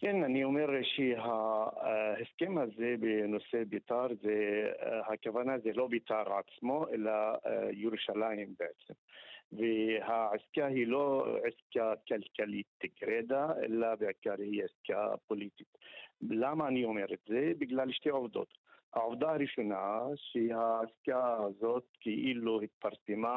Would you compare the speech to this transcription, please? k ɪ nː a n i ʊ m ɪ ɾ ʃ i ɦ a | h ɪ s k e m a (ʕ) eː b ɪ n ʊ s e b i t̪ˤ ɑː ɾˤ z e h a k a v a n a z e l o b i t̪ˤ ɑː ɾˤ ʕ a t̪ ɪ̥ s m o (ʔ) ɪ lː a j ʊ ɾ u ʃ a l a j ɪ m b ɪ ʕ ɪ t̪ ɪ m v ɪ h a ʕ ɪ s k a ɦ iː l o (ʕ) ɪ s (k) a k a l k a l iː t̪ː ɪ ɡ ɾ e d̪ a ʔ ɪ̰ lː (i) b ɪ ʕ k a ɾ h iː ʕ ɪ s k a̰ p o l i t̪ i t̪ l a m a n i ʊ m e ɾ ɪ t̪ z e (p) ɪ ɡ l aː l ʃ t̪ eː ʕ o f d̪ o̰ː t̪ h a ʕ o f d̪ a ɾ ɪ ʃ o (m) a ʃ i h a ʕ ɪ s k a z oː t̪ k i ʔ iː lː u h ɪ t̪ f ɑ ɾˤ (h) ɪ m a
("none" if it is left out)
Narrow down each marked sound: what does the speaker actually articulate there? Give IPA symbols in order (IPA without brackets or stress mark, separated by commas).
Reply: z, ʔ, ʕ, k, a, b, n, s